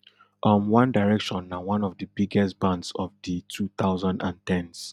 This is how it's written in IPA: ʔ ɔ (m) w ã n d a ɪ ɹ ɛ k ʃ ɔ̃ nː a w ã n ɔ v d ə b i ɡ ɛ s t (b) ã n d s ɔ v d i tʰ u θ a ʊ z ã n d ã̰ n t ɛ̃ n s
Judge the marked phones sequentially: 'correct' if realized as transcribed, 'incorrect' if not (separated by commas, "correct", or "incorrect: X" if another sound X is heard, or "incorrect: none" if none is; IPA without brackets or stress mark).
correct, correct